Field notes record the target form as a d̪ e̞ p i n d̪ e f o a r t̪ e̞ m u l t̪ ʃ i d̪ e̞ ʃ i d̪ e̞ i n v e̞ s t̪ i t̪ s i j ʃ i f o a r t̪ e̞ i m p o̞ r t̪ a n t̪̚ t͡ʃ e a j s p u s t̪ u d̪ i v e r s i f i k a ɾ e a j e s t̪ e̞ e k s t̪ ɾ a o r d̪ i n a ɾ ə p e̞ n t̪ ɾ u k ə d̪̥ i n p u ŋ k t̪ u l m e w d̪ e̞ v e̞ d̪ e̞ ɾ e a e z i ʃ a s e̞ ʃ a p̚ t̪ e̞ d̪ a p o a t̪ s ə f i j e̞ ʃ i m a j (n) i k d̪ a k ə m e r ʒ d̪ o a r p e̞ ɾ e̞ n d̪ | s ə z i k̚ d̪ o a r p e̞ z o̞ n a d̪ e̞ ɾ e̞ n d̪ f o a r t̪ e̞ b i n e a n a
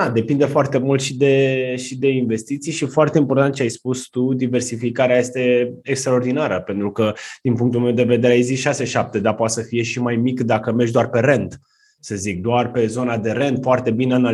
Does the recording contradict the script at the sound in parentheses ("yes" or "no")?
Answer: yes